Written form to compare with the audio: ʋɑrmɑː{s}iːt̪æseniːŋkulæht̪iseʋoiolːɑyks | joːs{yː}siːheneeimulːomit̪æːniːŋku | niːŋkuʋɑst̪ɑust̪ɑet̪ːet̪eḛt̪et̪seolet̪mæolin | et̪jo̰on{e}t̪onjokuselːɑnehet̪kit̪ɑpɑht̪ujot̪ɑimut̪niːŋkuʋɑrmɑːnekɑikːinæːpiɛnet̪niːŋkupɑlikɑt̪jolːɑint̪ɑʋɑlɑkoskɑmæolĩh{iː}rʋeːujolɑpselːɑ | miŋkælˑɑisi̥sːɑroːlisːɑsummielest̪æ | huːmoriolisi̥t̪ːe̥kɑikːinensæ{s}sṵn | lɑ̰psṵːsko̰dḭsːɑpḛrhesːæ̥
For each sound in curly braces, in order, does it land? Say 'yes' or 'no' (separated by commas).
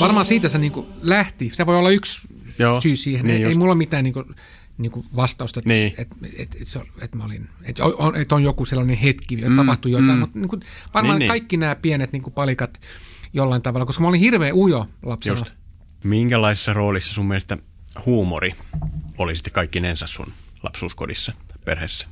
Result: yes, yes, yes, no, yes